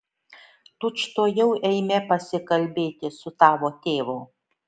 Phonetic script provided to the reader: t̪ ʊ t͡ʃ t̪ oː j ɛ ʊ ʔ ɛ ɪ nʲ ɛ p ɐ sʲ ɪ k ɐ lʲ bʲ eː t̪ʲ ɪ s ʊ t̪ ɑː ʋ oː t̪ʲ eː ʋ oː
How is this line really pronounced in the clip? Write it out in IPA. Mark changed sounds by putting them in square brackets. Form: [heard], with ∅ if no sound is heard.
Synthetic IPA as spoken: t̪ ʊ t͡ʃ t̪ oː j ɛ ʊ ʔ ɛ ɪ [mʲ] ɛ p ɐ sʲ ɪ k ɐ lʲ bʲ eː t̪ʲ ɪ s ʊ t̪ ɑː ʋ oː t̪ʲ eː ʋ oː